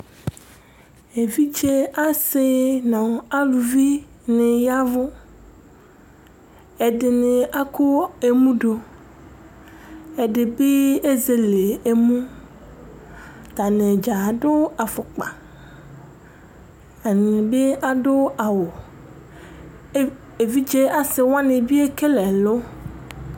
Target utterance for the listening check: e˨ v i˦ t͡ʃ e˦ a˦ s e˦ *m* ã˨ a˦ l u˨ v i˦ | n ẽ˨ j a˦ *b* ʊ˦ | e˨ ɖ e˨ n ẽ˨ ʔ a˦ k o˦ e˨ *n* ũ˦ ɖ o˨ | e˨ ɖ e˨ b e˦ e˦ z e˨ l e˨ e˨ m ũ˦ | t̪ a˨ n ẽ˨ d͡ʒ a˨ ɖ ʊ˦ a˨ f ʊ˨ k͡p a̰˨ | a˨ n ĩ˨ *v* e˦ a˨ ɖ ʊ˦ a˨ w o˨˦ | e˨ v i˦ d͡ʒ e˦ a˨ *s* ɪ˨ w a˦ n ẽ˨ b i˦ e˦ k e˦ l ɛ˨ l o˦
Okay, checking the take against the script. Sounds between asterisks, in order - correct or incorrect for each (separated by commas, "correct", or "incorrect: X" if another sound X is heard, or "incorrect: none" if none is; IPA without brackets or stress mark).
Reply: incorrect: n, incorrect: v, incorrect: m, incorrect: b, correct